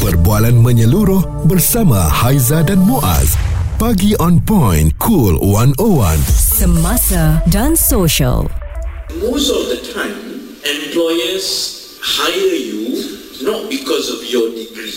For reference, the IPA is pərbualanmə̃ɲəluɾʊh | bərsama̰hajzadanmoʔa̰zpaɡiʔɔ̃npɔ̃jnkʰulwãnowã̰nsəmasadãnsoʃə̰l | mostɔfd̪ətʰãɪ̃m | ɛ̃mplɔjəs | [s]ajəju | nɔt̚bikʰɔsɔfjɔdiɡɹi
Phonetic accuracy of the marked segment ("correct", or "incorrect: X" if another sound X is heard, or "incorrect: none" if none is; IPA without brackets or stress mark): incorrect: h